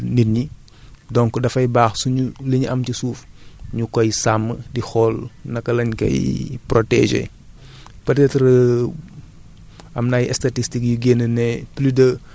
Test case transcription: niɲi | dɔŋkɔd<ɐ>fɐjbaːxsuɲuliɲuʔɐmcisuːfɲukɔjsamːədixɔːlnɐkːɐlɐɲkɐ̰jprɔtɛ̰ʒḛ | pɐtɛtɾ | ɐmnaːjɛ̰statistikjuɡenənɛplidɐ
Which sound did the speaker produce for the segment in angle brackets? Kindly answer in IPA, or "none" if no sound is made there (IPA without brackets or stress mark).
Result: ɐ